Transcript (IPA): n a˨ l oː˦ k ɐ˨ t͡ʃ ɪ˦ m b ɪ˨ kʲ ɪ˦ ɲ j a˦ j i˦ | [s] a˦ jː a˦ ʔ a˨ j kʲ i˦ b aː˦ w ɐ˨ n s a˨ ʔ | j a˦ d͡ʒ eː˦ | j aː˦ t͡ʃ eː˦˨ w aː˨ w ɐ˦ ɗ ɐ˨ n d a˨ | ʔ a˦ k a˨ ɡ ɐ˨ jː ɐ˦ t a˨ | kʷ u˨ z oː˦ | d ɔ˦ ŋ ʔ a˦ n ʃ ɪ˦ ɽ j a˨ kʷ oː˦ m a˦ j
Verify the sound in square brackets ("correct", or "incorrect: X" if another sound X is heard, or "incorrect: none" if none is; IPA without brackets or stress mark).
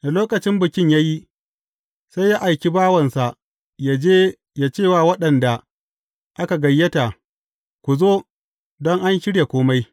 correct